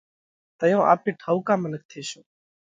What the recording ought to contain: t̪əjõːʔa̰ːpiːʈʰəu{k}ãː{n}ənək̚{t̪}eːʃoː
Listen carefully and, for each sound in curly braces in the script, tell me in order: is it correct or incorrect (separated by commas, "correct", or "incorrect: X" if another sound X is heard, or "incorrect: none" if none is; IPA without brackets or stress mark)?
correct, incorrect: m, incorrect: t̪ʰ